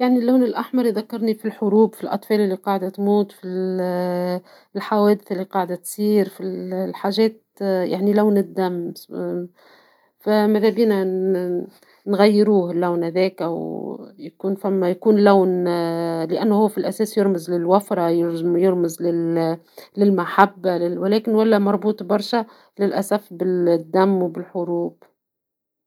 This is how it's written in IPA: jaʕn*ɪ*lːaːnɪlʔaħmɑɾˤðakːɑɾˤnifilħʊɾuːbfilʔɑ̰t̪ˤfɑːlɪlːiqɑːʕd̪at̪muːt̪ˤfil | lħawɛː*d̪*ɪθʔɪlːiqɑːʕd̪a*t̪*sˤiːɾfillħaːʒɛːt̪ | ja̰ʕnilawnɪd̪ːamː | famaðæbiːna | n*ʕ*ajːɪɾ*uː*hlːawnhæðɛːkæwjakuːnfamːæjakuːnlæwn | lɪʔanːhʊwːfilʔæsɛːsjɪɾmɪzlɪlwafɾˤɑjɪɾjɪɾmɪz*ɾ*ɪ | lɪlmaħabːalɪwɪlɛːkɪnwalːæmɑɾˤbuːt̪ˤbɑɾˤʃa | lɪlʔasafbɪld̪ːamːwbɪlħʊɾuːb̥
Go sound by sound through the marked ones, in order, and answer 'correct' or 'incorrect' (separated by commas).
incorrect, correct, correct, incorrect, correct, incorrect